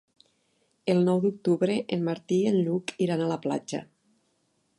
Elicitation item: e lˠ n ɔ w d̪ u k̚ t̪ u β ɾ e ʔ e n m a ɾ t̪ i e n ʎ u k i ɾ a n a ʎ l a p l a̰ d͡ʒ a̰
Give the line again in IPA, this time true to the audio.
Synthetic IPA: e lˠ n ɔ w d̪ u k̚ t̪ u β ɾ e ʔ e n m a ɾ t̪ i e n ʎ u k i ɾ a n a l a p l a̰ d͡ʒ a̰